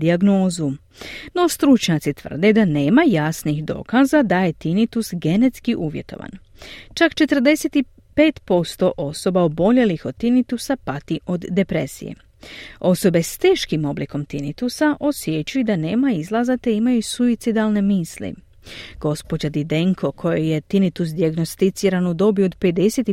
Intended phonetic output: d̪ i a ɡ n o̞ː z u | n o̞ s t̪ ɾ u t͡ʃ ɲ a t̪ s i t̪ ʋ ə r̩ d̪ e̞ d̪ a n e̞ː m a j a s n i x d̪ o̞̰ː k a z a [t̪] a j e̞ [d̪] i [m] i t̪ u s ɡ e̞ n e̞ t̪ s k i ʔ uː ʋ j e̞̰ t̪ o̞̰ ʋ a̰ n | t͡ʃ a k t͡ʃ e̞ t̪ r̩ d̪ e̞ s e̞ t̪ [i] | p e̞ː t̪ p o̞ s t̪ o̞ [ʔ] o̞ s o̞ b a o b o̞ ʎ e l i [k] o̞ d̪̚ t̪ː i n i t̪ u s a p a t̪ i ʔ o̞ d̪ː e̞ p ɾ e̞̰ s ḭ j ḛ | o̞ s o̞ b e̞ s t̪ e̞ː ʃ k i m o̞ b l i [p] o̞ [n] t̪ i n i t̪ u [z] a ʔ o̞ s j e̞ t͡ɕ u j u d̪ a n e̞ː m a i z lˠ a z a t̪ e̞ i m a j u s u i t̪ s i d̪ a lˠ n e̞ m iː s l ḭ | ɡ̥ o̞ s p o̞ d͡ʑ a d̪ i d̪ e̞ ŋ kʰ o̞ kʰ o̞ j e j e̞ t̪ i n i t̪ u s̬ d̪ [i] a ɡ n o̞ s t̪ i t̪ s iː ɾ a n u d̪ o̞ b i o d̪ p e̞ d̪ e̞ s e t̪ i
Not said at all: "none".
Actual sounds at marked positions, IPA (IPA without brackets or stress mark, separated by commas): d̪, t̪, n, i, ʔ, x, k, m, s, i